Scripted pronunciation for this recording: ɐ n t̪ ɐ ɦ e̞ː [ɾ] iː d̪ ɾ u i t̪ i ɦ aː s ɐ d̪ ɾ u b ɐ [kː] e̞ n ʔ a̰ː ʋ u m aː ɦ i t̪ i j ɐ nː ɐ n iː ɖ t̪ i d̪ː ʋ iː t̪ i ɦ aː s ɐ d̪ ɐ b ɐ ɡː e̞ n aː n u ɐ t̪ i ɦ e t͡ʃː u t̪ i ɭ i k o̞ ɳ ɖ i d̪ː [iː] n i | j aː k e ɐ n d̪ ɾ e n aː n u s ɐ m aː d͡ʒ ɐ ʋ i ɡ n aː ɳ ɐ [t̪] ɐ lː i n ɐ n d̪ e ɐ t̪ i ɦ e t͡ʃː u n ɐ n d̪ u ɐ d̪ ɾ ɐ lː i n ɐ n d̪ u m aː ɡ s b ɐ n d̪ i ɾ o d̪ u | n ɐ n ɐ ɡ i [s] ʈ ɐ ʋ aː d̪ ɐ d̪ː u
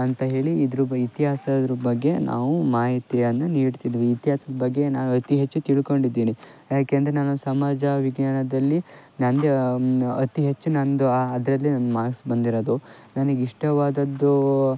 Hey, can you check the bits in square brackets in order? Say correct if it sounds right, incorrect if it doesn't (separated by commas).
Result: incorrect, incorrect, correct, incorrect, incorrect